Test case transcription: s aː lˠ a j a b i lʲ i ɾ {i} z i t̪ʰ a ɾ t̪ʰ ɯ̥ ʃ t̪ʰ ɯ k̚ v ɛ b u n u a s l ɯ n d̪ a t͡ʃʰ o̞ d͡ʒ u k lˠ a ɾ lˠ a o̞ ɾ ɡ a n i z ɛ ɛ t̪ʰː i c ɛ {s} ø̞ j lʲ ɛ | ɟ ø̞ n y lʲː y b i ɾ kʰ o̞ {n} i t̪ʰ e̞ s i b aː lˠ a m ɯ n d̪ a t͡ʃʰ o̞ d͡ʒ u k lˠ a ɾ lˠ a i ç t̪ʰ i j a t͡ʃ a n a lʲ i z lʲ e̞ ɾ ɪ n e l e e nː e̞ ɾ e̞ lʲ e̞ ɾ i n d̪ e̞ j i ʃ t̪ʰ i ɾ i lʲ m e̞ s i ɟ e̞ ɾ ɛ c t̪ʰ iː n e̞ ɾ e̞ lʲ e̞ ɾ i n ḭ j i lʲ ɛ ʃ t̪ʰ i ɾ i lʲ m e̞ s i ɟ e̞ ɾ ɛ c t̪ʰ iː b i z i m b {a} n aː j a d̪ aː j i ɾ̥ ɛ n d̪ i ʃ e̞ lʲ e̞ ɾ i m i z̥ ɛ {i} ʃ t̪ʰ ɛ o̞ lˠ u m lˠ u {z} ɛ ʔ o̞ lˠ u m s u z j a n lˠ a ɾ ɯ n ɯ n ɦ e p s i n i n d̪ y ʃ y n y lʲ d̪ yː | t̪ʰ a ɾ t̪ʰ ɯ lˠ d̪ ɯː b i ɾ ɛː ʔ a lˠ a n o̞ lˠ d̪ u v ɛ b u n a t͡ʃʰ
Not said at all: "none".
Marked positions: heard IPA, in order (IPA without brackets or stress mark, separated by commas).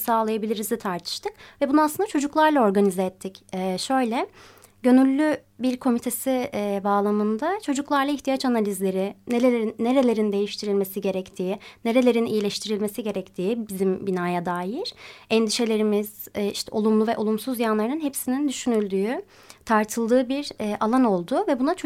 i, ʃ, m, i, i, v